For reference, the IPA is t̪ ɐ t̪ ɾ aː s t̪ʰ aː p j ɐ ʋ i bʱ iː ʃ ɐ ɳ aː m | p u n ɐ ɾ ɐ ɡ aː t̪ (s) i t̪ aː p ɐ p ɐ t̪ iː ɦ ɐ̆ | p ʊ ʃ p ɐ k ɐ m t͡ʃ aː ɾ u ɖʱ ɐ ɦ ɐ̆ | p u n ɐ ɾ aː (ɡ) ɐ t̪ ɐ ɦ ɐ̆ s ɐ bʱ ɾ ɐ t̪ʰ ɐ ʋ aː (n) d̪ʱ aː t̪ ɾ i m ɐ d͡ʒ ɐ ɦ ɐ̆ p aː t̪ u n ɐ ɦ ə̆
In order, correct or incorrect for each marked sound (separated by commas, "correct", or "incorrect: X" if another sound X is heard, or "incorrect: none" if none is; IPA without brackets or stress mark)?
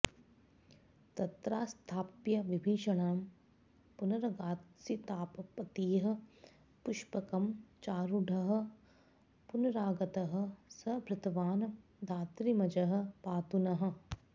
correct, correct, correct